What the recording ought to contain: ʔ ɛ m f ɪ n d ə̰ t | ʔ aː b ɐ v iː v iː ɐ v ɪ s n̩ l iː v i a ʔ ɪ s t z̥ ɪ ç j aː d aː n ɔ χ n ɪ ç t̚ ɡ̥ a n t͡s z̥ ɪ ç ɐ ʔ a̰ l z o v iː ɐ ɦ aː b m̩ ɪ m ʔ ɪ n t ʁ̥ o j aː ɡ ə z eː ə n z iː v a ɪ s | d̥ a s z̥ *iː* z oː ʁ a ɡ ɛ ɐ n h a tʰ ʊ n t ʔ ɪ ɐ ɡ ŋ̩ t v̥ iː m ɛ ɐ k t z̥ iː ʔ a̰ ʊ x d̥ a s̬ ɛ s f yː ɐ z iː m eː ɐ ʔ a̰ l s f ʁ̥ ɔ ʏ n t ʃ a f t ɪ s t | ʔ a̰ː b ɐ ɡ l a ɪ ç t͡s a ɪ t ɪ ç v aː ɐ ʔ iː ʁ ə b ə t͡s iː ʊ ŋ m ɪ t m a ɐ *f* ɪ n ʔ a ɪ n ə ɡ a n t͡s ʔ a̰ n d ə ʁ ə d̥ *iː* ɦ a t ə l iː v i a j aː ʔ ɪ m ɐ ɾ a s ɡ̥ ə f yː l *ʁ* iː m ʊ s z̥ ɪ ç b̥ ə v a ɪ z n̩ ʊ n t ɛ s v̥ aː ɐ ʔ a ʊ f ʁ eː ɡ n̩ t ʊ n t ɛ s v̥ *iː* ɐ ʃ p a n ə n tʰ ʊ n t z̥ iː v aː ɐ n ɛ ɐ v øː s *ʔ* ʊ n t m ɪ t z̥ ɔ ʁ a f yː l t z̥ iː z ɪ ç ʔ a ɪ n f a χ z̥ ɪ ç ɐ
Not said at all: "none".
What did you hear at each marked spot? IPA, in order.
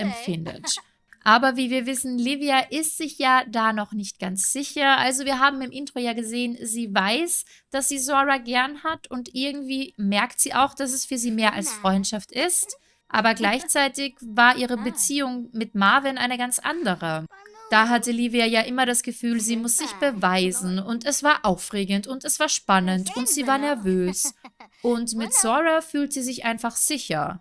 iː, v, aː, z, aː, ʔ

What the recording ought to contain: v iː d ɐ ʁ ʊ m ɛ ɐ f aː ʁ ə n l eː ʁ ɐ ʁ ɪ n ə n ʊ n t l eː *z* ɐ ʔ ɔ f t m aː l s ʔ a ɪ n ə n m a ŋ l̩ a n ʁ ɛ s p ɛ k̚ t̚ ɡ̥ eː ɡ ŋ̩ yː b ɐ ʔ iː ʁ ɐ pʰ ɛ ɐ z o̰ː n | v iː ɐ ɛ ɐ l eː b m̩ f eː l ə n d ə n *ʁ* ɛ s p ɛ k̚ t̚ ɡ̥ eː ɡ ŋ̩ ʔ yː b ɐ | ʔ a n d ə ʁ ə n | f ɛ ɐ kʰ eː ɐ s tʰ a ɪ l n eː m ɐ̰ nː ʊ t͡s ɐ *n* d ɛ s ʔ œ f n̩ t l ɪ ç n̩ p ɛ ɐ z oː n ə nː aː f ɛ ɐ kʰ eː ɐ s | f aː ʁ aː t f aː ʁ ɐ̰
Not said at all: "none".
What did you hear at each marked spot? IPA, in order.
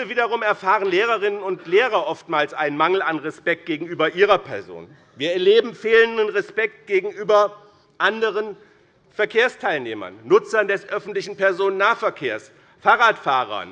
ʁ, ʁ, n

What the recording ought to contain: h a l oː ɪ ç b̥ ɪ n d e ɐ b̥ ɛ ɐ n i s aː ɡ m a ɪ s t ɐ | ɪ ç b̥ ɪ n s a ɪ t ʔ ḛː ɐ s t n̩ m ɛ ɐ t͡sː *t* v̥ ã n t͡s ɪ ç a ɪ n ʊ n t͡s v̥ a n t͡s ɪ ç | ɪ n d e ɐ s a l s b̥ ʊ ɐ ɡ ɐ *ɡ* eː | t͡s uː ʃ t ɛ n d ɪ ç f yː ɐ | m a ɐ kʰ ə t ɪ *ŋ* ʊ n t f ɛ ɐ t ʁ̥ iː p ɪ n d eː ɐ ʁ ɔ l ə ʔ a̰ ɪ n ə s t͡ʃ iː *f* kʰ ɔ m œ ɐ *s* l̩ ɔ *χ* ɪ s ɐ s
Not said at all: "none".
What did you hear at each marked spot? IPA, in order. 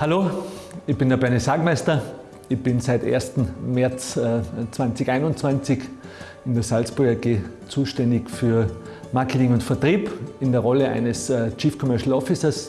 t͡s, ɡ, ŋ, f, ʃ, f

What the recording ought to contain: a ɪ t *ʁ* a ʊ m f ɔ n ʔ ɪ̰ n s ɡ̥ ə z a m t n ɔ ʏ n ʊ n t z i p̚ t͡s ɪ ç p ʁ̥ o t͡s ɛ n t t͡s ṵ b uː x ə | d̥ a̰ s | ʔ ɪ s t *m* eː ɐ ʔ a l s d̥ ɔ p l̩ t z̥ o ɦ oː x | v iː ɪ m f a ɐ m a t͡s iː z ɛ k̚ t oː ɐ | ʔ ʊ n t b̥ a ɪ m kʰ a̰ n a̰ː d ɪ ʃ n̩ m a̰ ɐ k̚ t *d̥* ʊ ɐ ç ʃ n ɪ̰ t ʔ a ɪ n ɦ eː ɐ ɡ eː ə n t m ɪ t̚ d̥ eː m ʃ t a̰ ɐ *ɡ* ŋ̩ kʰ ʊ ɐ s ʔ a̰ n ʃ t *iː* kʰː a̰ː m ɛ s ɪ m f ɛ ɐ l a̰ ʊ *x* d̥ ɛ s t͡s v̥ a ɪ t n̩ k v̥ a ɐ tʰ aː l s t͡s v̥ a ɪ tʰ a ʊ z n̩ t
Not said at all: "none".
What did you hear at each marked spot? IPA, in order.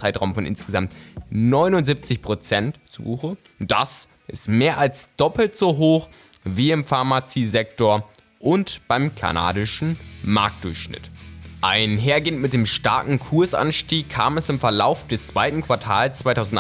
ʁ, m, d̥, k, iː, f

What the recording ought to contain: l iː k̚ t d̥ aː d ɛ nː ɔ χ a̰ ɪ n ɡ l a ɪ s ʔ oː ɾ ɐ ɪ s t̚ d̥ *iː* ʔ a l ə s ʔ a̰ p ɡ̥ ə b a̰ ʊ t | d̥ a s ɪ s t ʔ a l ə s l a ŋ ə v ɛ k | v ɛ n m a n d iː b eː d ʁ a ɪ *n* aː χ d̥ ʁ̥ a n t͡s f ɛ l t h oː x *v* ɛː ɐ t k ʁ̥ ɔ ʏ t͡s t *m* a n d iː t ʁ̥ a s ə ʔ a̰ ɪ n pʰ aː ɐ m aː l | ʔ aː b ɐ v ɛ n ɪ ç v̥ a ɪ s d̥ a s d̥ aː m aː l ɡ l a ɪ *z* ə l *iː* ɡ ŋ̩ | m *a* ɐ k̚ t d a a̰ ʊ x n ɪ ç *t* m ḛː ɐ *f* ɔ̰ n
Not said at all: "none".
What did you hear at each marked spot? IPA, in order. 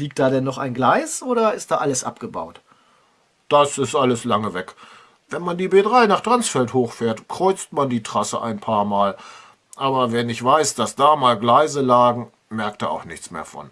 aː, n, f, m, z, aː, ɛ, t͡s, f

